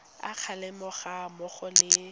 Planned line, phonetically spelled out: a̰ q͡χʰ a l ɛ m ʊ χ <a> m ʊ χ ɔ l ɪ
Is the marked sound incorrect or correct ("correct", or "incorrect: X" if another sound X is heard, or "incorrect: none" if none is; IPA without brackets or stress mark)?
correct